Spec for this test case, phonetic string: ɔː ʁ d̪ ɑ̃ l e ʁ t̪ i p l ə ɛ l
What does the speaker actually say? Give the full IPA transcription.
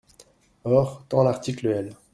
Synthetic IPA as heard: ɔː ʁ t̪ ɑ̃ l a ʁ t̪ i k l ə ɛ l